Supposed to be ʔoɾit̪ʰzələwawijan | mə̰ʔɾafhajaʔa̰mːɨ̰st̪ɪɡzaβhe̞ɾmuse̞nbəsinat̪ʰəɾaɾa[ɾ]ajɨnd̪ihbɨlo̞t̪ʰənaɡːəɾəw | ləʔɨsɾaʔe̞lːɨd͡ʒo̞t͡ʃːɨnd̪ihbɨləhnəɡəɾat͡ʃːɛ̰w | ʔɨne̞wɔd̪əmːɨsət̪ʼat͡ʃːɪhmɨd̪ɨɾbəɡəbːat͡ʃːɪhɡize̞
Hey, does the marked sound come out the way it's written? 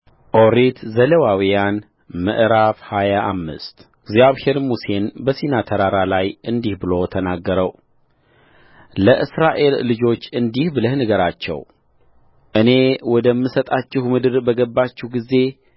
no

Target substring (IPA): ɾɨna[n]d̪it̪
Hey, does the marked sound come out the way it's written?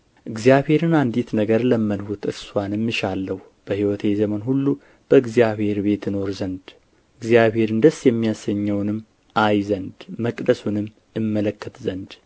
yes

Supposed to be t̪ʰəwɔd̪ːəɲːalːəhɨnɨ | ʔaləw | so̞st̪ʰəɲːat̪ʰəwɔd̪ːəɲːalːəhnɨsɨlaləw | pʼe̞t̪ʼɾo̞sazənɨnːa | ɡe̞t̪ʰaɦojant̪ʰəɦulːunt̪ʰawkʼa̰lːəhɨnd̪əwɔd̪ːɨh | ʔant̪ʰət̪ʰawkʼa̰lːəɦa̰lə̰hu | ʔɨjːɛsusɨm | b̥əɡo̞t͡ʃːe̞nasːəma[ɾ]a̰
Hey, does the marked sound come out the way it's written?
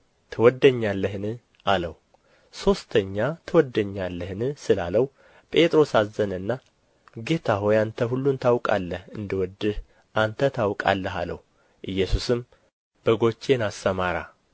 yes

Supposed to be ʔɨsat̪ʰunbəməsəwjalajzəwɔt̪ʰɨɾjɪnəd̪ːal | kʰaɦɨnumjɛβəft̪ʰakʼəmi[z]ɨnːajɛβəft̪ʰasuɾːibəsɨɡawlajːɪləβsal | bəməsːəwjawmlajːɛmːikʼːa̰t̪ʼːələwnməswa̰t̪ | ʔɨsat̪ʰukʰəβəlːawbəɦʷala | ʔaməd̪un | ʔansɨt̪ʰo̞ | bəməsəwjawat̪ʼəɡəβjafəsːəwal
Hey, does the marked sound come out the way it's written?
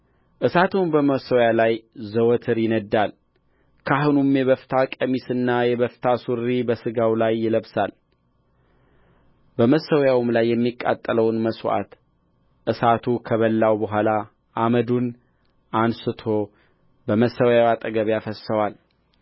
no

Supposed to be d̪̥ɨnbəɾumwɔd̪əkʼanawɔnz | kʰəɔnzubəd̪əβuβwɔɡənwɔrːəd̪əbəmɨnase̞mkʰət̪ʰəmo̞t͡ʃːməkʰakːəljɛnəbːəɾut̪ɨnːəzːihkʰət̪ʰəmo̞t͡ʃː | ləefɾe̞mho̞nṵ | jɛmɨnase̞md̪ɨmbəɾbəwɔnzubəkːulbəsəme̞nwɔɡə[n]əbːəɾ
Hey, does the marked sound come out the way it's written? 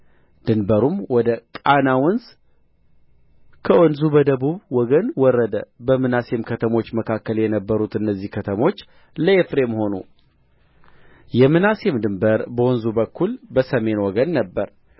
no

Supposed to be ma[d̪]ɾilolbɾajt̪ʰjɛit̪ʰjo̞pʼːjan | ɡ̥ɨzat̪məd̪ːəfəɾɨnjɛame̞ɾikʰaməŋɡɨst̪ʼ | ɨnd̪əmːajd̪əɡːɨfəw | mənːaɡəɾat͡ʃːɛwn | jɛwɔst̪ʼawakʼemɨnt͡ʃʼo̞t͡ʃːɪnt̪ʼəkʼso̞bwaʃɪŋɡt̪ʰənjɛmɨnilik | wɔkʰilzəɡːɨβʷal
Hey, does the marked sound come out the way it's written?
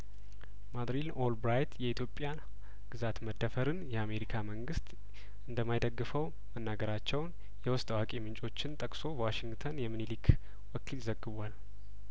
yes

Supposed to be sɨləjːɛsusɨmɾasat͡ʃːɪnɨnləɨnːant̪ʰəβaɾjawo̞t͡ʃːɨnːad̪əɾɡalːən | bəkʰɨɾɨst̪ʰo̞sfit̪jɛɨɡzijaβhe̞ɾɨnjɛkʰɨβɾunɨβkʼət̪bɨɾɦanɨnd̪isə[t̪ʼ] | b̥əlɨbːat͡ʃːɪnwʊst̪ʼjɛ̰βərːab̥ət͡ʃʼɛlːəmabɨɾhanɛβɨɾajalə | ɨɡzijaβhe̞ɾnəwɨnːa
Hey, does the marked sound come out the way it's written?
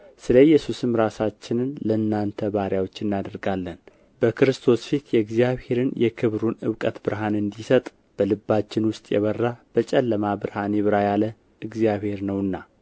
yes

